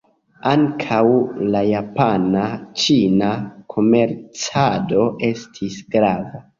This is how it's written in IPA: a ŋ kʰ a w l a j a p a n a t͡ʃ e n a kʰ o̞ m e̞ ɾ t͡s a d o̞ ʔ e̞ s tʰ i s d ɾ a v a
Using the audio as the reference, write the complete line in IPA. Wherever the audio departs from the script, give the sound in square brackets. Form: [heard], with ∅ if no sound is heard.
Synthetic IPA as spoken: a ŋ kʰ a w l a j a p a n a t͡ʃ [i] n a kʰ o̞ m e̞ ɾ t͡s a d o̞ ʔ e̞ s tʰ i s [ɡ] ɾ a v a